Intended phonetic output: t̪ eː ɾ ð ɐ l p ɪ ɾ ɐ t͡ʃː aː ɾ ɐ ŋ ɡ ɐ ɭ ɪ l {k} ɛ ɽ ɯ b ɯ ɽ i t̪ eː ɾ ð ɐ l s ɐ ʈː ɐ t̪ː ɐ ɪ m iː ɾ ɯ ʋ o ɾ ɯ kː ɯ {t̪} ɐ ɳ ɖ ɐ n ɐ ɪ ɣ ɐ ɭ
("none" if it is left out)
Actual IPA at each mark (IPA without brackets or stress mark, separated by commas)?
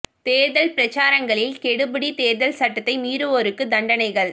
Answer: k, d̪